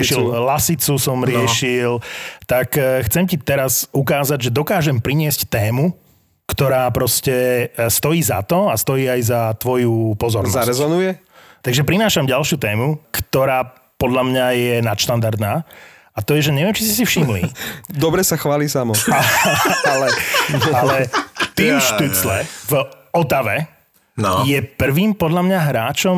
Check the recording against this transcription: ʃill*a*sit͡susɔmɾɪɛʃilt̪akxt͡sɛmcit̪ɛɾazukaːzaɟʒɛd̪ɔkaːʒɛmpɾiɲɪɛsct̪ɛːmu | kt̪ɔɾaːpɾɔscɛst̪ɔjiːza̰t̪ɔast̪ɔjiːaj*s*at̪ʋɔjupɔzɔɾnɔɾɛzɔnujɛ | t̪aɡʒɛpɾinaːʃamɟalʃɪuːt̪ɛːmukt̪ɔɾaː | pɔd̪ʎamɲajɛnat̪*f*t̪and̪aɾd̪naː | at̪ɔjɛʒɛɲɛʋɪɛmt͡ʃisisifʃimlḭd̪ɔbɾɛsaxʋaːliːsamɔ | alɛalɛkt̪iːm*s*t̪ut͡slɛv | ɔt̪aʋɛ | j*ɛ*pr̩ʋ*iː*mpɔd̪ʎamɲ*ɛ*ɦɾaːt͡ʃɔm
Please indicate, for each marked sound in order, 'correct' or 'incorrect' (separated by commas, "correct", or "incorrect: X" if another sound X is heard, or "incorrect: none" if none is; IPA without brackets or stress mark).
correct, incorrect: z, incorrect: ʃ, incorrect: ʃ, correct, correct, incorrect: a